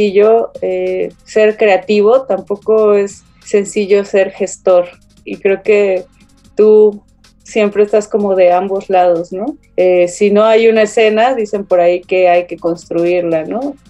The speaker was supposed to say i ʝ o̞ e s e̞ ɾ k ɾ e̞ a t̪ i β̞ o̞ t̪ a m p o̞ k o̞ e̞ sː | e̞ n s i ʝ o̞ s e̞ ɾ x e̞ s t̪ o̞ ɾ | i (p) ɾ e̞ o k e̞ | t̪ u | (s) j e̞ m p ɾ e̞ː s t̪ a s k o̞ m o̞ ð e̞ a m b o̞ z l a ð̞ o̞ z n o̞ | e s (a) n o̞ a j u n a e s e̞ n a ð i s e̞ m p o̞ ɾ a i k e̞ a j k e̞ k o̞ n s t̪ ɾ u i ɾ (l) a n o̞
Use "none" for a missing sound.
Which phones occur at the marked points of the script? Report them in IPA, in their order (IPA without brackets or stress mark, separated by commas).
k, s, i, l